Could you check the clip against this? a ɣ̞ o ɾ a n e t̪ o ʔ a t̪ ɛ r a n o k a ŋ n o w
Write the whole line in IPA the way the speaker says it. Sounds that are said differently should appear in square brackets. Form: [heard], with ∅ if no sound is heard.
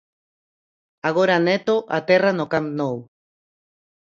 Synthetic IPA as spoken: a ɣ̞ o ɾ a n e t̪ o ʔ a t̪ [e] r a n o k a [m] n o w